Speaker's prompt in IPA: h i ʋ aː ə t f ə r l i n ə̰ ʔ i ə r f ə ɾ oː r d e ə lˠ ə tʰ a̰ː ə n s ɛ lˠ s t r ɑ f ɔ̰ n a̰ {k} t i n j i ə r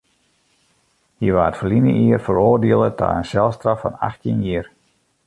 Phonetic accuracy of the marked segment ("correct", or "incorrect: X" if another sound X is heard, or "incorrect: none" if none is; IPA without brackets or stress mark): incorrect: x